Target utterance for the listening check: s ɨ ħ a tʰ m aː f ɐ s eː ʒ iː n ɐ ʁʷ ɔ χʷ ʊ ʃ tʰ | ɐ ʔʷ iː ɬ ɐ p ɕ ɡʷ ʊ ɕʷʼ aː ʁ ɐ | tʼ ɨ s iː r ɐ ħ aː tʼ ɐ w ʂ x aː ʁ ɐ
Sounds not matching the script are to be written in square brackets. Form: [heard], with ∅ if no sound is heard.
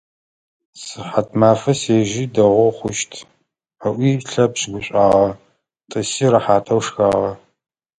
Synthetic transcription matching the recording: s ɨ ħ a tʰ m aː f ɐ s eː ʒ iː [d] ɐ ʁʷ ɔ χʷ ʊ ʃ tʰ | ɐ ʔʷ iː ɬ ɐ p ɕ ɡʷ ʊ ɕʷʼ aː ʁ ɐ | tʼ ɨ s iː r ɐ ħ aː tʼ ɐ w ʂ x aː ʁ ɐ